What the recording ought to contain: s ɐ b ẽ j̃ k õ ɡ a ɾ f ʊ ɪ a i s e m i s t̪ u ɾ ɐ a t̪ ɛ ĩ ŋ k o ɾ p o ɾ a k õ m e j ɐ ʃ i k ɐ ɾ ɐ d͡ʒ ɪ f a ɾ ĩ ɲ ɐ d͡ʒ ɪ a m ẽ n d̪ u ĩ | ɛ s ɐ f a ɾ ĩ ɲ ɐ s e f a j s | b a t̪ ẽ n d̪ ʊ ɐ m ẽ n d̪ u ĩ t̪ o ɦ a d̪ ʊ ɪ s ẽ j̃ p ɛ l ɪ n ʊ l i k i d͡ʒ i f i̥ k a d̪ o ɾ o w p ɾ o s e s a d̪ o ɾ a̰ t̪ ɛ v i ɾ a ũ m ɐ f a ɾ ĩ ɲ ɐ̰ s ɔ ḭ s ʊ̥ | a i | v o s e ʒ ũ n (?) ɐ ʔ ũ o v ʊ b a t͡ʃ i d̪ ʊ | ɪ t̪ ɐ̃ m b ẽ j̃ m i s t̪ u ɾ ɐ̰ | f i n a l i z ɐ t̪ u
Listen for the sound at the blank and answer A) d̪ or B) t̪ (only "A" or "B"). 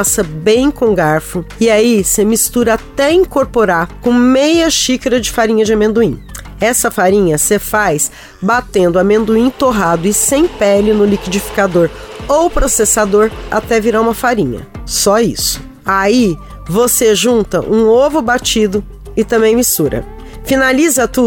B